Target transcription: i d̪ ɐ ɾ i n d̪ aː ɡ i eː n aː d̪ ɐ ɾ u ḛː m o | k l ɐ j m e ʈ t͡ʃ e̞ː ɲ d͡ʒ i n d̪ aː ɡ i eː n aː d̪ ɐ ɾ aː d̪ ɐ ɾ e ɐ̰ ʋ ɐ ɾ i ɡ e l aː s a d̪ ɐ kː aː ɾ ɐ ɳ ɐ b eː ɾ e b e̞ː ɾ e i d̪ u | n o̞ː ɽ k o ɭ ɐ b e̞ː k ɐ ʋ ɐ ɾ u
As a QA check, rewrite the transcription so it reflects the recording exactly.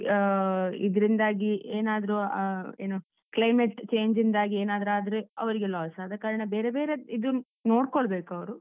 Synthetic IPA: i d̪ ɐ ɾ i n d̪ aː ɡ i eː n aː d̪ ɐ ɾ u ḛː n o | k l ɐ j m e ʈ t͡ʃ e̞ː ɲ d͡ʒ i n d̪ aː ɡ i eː n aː d̪ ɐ ɾ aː d̪ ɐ ɾ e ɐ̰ ʋ ɐ ɾ i ɡ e l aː s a d̪ ɐ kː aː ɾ ɐ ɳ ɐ b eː ɾ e b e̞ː ɾ e i d̪ u | n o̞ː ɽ k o ɭ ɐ b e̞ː k ɐ ʋ ɐ ɾ u